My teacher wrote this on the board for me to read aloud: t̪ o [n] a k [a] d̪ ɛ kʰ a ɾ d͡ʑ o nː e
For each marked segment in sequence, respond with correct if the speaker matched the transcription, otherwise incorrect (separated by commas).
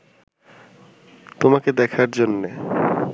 incorrect, incorrect